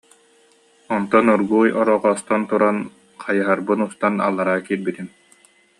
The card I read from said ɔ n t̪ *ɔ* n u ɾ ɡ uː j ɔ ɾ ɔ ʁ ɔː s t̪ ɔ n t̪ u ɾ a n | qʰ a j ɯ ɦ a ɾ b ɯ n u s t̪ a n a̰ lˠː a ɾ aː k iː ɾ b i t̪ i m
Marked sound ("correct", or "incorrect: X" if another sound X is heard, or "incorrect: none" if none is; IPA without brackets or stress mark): correct